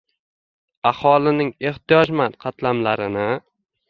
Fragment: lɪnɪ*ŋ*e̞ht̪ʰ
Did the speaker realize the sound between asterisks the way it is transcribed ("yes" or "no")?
yes